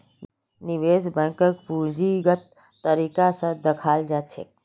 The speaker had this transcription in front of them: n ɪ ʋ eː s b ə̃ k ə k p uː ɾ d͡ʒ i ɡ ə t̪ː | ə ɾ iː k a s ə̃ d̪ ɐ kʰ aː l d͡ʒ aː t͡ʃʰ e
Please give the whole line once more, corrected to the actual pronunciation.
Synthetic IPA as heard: n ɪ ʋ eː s b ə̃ k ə k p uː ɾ d͡ʒ i ɡ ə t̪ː | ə ɾ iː k a s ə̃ d̪ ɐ kʰ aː l d͡ʒ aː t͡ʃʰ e